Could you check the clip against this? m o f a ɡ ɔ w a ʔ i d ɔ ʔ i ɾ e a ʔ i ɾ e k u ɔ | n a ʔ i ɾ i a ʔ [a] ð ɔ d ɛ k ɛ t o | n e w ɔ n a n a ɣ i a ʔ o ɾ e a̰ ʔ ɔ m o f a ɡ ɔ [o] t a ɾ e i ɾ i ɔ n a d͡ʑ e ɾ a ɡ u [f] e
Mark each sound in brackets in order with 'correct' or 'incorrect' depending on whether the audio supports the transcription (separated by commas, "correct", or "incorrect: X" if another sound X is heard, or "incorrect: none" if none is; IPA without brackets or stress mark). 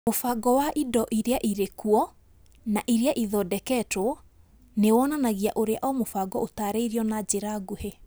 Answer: incorrect: i, correct, incorrect: h